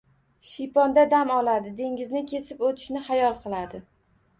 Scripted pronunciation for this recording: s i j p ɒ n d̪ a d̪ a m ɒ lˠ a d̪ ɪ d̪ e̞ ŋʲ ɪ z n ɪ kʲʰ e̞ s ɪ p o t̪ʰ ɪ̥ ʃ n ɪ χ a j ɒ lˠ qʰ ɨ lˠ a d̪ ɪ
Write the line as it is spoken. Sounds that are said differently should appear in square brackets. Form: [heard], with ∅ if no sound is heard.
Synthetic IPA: [ʃ] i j p ɒ n d̪ a d̪ a m ɒ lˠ a d̪ ɪ d̪ e̞ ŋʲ ɪ z n ɪ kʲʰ e̞ s ɪ p o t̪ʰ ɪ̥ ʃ n ɪ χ a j ɒ lˠ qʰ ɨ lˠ a d̪ ɪ